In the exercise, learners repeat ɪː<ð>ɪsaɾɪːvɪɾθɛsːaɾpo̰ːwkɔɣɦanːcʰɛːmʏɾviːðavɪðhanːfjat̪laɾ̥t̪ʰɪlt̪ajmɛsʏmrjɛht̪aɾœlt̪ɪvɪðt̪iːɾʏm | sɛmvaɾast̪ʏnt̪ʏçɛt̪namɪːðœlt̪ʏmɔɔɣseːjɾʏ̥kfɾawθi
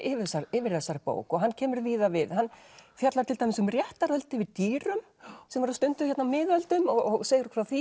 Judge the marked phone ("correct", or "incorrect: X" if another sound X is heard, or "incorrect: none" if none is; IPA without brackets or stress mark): incorrect: v